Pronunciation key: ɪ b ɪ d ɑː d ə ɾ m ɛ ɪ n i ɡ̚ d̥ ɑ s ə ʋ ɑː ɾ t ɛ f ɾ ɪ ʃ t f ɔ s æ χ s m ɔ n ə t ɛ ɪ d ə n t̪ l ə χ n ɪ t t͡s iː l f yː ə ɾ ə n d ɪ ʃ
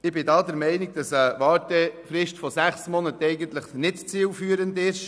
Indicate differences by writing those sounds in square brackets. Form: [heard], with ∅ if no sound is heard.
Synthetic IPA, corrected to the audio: ɪ b ɪ d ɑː d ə ɾ m ɛ ɪ n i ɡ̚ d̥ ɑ s ə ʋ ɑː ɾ t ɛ f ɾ ɪ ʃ t f ɔ s æ χ s m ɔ n ə t ɛ ɪ [ɡ] ə n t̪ l ə χ n ɪ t t͡s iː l f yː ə ɾ ə n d ɪ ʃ

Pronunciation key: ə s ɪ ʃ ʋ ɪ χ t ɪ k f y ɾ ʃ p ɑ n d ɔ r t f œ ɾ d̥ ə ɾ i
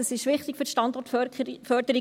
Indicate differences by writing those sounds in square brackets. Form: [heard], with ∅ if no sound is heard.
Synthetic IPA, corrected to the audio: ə s ɪ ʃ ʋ ɪ χ t ɪ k f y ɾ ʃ [t] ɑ n d ɔ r t f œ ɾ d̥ ə ɾ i

